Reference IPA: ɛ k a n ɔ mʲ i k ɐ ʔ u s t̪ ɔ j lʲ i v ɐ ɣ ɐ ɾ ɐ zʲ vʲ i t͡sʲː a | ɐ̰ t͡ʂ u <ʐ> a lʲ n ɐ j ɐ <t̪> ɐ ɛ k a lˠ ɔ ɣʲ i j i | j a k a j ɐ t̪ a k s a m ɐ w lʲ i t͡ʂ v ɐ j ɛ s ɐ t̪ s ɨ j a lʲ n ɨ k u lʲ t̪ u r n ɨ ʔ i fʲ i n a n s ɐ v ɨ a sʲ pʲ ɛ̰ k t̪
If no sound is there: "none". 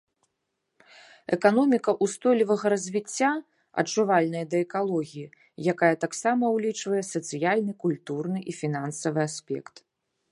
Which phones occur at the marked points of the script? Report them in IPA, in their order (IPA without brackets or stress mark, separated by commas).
v, d̪